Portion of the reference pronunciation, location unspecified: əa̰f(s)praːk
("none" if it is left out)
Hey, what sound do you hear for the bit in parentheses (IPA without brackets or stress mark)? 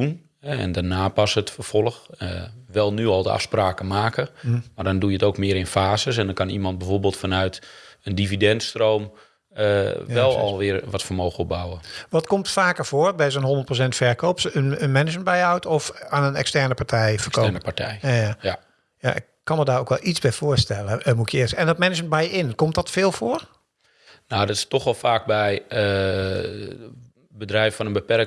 s